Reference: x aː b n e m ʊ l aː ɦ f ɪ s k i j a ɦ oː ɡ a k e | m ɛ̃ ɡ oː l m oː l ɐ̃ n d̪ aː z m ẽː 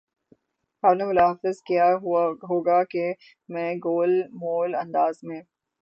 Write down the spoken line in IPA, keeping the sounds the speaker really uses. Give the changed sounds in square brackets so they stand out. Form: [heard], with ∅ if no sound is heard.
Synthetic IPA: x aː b n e m ʊ l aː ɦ f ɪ [z] k i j a ɦ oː ɡ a k e | m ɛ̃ ɡ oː l m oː l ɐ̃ n d̪ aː z m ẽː